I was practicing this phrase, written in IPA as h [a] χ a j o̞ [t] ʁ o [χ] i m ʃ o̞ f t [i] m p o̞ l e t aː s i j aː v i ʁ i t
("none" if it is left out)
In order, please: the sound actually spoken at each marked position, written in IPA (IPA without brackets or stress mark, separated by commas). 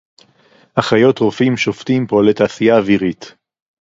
a, t, f, i